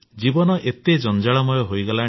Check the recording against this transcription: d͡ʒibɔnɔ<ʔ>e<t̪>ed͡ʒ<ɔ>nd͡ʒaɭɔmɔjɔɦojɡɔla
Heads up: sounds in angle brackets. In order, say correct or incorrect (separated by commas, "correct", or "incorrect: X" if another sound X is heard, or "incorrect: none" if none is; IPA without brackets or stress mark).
correct, correct, correct